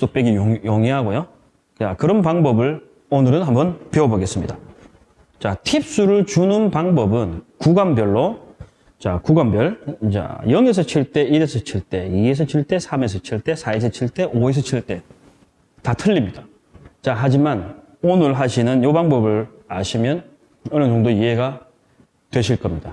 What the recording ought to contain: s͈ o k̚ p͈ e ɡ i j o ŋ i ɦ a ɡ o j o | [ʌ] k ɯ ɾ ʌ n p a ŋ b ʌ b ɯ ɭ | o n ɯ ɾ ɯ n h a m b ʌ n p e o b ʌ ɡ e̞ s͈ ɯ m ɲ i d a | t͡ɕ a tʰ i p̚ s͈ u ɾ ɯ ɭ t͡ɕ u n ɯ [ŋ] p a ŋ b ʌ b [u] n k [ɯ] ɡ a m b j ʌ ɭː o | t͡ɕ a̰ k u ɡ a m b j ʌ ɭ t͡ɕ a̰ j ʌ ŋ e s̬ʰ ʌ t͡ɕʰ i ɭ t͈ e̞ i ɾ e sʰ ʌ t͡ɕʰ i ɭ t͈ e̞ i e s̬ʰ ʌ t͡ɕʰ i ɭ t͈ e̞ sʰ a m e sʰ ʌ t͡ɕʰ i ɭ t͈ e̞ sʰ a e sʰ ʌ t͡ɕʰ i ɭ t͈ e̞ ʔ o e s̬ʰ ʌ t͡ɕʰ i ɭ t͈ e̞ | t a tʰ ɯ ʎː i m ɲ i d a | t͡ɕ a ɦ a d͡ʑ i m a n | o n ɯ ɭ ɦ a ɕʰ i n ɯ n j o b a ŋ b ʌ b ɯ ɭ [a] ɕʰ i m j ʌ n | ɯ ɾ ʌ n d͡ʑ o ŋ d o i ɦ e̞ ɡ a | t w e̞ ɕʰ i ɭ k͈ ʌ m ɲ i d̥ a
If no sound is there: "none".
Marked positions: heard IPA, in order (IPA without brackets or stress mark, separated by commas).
a, n, ɯ, u, a